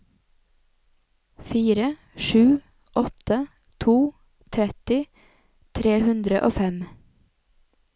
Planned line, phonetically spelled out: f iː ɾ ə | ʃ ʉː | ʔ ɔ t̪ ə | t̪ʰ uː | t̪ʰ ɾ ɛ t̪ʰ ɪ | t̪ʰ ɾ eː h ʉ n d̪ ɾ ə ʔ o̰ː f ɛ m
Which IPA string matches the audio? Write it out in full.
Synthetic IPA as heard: f iː ɾ ə | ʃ ʉː | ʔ ɔ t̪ ə | t̪ʰ uː | t̪ʰ ɾ ɛ t̪ ɪ | t̪ʰ ɾ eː h ʉ n d̪ ɾ ə ʔ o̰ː f ɛ m